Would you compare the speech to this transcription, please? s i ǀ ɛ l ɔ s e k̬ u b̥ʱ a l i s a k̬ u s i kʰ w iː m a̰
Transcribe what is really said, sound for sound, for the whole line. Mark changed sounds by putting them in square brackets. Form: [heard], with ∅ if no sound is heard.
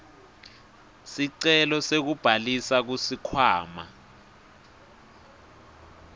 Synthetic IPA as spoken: s i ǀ ɛ l ɔ s e k̬ u b̥ʱ a l i s a k̬ u s i kʰ w [aː] m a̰

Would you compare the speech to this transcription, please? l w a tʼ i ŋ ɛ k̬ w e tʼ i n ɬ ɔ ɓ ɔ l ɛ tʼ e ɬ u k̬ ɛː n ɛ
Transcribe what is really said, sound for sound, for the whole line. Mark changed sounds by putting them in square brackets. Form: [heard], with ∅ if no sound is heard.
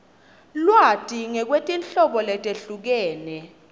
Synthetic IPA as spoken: l w a tʼ i ŋ ɛ k̬ w e tʼ i n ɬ ɔ ɓ ɔ l ɛ tʼ e ɬ u k̬ ɛː n ɛ

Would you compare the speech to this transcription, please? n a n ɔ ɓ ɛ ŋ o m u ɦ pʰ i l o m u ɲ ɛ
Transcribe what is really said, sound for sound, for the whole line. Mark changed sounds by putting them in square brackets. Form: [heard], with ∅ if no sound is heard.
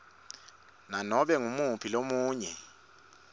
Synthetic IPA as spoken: n a n ɔ ɓ ɛ ŋ [u] m u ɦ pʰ i l o m [uː] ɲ ɛ

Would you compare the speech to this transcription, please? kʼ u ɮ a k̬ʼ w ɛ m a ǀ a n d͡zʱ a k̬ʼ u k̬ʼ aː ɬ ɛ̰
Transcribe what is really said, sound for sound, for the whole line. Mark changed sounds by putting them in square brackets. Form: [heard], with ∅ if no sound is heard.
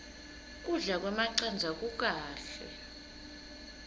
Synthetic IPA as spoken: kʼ u ɮ a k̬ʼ w ɛ m a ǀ a n d͡zʱ a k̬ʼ u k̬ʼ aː ɬ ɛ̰

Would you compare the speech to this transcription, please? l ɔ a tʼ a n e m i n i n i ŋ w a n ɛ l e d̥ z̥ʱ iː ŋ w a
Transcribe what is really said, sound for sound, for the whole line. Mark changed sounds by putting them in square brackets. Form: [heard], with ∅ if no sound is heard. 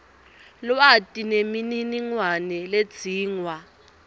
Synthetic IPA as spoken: l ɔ a tʼ [i] n e m i n i n i ŋ w a n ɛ l e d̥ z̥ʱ iː ŋ w a

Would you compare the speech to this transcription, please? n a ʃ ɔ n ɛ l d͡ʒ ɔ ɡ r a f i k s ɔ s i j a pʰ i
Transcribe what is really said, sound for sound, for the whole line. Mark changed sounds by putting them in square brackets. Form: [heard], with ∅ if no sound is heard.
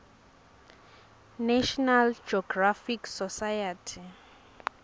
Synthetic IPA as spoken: n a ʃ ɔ n [a] l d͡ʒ ɔ ɡ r a f i k s ɔ s [a] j a [tʰ] i

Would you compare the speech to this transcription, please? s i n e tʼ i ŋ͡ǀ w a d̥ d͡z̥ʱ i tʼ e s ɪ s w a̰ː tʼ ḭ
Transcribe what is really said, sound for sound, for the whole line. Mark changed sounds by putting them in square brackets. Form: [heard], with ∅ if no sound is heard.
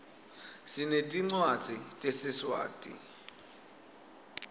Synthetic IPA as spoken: s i n e tʼ i ŋ͡ǀ w a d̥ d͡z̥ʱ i tʼ e s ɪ s w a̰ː tʼ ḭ

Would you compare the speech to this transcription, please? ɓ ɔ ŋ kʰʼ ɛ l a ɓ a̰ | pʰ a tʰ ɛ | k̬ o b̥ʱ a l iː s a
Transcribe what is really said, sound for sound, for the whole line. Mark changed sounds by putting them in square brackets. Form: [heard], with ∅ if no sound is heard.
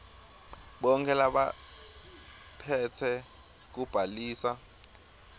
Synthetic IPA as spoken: ɓ ɔ ŋ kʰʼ ɛ l a ɓ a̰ | pʰ [ɛ] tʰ ɛ | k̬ [u] b̥ʱ a l iː s a

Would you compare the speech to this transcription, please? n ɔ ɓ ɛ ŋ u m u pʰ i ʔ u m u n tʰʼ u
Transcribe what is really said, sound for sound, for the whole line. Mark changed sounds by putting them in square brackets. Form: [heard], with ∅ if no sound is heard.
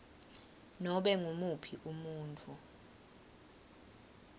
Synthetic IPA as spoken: n ɔ ɓ ɛ ŋ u m u pʰ i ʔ u m [uː] n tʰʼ u

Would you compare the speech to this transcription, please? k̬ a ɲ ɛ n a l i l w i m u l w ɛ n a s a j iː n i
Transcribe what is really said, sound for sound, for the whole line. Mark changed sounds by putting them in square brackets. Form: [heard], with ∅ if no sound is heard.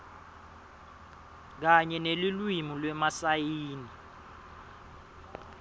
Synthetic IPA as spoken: k̬ a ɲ ɛ n [e] l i l w i m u l w ɛ [m] a s a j iː n i

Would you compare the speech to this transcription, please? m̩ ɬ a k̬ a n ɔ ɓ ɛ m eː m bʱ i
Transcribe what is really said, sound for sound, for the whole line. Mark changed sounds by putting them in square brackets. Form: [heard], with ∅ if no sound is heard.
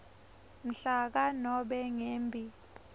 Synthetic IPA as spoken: m̩ ɬ a k̬ a n ɔ ɓ ɛ [ŋ] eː m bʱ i

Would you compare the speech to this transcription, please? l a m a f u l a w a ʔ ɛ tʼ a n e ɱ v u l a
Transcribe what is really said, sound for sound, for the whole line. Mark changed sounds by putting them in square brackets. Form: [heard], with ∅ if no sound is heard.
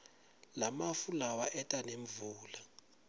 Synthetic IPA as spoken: l a m a f u l a w a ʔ ɛ tʼ a n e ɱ v [uː] l a

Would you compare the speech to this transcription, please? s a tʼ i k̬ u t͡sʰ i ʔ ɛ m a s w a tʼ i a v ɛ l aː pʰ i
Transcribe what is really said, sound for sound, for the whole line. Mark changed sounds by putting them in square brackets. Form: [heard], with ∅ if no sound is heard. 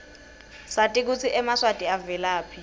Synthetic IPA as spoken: s a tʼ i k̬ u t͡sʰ i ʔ ɛ m a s w a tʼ i a v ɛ l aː pʰ i

